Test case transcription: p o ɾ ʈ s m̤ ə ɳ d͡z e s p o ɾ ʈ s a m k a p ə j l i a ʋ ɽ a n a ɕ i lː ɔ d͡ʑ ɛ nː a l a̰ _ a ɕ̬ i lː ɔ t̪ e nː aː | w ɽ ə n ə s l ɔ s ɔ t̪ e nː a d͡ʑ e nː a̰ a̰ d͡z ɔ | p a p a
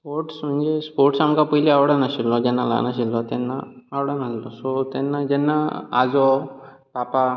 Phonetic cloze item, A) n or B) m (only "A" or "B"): A